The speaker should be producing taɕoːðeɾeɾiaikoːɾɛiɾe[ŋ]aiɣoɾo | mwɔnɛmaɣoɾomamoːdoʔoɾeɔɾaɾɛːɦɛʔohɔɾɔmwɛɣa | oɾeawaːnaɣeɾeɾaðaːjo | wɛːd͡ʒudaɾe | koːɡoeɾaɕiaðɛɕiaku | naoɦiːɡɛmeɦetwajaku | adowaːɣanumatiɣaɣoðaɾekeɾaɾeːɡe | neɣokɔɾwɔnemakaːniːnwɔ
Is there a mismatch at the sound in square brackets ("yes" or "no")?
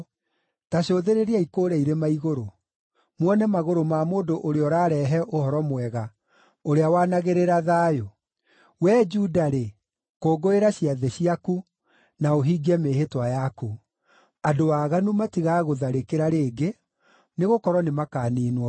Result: yes